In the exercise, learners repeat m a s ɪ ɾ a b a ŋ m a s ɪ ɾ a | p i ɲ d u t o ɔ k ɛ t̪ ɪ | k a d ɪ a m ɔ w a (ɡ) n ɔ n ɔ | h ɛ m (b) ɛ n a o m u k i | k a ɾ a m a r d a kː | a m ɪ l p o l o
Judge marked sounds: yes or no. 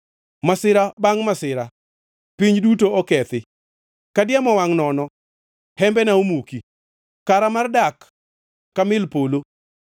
no, yes

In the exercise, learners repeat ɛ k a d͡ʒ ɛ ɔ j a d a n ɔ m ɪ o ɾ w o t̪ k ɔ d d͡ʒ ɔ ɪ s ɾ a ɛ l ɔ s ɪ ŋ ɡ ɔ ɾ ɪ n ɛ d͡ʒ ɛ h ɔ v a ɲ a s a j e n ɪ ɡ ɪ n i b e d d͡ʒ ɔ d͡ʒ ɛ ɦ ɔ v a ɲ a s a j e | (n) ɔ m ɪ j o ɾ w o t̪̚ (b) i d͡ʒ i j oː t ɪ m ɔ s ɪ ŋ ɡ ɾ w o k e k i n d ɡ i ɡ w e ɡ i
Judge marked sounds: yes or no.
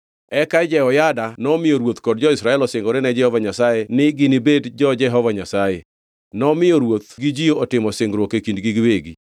yes, no

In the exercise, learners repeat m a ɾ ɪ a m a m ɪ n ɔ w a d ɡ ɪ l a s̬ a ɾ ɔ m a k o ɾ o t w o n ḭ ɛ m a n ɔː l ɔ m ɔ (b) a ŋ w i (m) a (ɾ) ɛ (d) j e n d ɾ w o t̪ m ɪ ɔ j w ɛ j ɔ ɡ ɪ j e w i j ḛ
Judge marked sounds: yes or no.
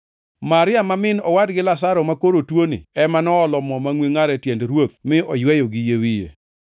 no, no, yes, no

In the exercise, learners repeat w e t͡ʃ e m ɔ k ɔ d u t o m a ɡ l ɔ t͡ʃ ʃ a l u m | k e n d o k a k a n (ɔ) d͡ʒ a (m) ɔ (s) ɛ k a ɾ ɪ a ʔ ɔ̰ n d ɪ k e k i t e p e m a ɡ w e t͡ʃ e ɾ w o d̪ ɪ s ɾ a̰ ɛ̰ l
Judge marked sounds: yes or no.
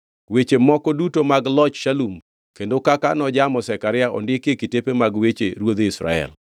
yes, yes, yes

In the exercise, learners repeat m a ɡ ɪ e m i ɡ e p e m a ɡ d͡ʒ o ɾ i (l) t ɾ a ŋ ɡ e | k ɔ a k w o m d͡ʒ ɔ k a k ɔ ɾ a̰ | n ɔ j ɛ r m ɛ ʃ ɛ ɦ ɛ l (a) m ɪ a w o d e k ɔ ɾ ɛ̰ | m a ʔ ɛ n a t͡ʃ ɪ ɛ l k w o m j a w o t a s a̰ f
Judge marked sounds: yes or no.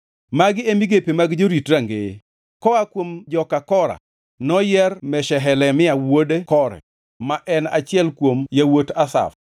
no, no

